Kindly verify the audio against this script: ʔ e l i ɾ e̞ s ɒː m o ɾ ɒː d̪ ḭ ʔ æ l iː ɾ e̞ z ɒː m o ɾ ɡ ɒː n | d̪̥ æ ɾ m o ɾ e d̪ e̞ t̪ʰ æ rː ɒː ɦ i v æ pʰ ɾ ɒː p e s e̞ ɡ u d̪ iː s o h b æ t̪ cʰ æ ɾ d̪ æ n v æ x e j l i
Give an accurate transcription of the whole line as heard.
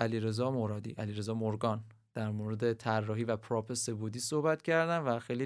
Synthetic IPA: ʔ æ l i ɾ e̞ z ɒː m o ɾ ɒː d̪ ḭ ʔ æ l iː ɾ e̞ z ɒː m o ɾ ɡ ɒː n | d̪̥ æ ɾ m o ɾ e d̪ e̞ t̪ʰ æ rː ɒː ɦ i v æ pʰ ɾ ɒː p e s e̞ b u d̪ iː s o h b æ t̪ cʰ æ ɾ d̪ æ n v æ x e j l i